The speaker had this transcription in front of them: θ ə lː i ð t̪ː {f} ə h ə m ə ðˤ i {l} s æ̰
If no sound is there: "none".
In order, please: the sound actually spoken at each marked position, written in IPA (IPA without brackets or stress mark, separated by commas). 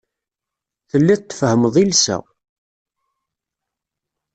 f, l